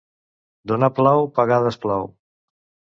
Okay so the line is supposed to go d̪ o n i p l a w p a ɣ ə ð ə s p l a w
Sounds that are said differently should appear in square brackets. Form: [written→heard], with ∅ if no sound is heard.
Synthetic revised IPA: d̪ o n [i→a] p l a w p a ɣ [ə→a] ð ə s p l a w